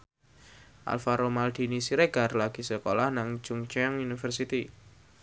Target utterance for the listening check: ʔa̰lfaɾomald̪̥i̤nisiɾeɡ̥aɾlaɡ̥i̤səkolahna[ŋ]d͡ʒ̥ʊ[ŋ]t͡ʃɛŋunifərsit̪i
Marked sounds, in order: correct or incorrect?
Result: correct, correct

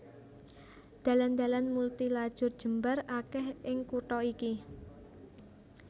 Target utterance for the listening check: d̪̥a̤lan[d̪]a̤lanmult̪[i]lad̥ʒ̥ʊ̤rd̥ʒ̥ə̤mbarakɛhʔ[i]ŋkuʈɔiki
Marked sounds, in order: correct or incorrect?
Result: correct, correct, incorrect: ɪ

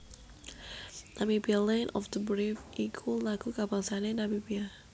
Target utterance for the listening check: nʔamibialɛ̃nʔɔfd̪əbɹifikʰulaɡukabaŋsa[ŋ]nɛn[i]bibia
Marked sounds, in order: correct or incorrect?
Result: incorrect: none, incorrect: a

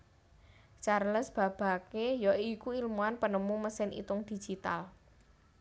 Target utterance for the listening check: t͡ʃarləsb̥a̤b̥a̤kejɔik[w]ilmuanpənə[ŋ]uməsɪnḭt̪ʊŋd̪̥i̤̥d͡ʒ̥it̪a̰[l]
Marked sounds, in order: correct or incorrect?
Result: incorrect: u, incorrect: m, correct

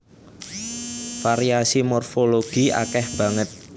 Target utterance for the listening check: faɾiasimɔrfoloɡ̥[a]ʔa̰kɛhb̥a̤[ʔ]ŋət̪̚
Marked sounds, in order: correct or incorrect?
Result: incorrect: i, incorrect: none

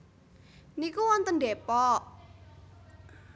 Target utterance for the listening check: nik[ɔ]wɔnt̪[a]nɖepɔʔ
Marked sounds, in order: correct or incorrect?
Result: incorrect: u, incorrect: ə

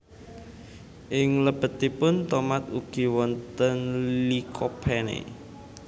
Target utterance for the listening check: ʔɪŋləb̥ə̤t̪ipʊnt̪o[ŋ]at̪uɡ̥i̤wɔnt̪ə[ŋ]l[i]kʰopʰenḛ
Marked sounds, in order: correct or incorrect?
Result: incorrect: m, incorrect: n, correct

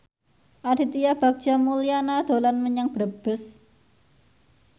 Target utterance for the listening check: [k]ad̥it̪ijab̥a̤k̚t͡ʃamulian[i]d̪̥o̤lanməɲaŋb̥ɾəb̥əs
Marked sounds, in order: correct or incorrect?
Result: incorrect: ʔ, incorrect: a

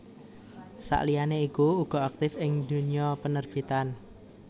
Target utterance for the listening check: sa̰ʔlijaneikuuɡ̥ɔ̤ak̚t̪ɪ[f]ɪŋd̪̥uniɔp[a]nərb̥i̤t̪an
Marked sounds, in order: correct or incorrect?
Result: correct, incorrect: ə

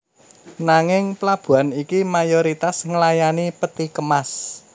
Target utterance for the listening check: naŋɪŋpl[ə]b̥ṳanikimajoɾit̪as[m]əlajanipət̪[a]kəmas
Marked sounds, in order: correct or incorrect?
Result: incorrect: a, incorrect: ŋ, incorrect: i

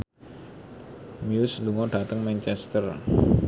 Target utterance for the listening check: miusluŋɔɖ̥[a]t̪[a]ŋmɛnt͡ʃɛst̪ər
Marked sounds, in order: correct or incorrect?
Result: correct, incorrect: ə

